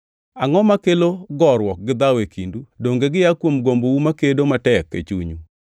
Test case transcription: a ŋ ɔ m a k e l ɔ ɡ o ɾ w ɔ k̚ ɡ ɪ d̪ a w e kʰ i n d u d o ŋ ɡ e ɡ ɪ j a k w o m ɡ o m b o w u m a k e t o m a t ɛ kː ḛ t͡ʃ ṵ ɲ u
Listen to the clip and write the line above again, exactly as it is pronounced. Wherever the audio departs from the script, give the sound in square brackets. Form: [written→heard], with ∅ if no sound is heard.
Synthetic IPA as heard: a ŋ ɔ m a k e l [ɔ→o] ɡ [o→ɔ] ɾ w ɔ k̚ ɡ ɪ d̪ a w e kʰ i n d u d o ŋ ɡ e ɡ ɪ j a k w o m ɡ o m b o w u m a k e [t→d] o m a t ɛ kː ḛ t͡ʃ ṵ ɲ u